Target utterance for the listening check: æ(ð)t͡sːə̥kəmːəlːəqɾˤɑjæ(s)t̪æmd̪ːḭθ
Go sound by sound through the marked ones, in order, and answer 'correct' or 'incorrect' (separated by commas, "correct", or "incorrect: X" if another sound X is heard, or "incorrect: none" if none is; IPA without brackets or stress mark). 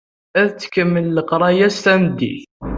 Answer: correct, correct